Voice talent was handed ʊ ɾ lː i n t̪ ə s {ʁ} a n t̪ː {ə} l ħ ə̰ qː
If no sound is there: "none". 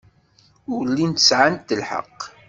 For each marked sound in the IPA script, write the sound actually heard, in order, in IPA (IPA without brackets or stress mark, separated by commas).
ʕ, ə